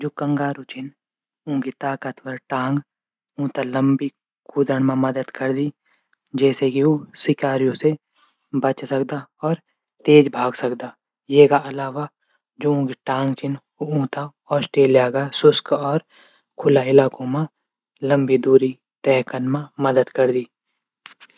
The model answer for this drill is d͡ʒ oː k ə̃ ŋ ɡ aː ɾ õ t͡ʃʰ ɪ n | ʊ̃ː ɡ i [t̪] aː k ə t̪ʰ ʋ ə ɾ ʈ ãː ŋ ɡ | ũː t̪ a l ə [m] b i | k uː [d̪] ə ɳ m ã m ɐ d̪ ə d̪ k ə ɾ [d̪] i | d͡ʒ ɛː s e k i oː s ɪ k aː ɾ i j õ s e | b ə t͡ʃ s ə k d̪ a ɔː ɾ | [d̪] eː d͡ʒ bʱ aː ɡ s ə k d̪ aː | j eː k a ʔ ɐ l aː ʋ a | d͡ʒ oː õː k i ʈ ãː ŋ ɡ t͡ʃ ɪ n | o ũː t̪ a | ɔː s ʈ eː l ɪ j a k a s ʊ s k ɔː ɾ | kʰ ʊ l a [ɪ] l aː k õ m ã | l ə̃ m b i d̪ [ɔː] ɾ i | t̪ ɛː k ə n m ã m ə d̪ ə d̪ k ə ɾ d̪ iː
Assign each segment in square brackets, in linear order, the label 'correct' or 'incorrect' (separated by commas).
correct, correct, correct, correct, incorrect, correct, incorrect